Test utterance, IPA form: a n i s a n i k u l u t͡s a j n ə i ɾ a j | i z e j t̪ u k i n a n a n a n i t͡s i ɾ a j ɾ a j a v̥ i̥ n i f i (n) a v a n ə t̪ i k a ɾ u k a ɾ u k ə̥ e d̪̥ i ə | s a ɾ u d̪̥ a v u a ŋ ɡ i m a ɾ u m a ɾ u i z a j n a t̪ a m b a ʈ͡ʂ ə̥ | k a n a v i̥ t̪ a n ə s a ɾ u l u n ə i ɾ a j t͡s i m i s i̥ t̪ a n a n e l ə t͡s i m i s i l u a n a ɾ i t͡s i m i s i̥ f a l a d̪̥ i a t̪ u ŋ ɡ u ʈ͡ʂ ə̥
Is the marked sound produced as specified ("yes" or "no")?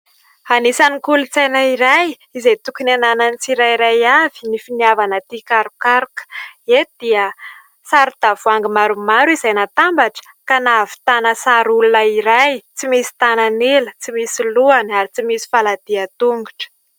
yes